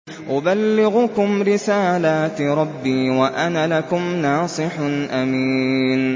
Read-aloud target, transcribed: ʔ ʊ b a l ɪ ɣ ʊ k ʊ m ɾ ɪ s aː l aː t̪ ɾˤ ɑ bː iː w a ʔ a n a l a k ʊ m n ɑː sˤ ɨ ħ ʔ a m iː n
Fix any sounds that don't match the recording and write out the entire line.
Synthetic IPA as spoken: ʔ ʊ b a lː ɪ ɣ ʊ k ʊ m ɾ ɪ s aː l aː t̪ ɾˤ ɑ bː iː w a ʔ a n a l a k ʊ m n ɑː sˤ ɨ ħ ʔ a m iː n